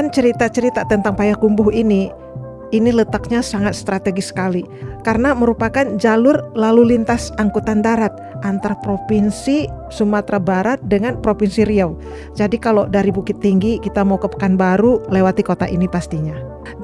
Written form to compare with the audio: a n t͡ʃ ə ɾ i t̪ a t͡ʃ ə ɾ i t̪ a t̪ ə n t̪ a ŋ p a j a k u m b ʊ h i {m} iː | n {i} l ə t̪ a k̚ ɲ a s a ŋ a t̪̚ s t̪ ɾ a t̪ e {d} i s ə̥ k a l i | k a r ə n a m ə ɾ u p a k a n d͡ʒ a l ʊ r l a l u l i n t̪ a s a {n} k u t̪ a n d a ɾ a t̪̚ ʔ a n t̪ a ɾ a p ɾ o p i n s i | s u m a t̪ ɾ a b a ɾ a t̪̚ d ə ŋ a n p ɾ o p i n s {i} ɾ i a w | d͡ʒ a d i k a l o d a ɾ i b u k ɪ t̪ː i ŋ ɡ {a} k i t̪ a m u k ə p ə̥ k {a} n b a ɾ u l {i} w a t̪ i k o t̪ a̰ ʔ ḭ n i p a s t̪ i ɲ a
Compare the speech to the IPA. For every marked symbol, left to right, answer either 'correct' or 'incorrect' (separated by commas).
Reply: incorrect, correct, incorrect, incorrect, correct, incorrect, correct, incorrect